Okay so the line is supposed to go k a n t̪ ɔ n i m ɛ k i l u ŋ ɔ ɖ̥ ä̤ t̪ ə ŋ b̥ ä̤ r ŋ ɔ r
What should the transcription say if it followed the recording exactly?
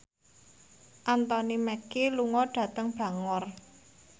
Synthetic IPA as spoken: ʔ a n t̪ ɔ n i m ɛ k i l u ŋ ɔ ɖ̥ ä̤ t̪ ə ŋ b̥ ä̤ ŋ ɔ r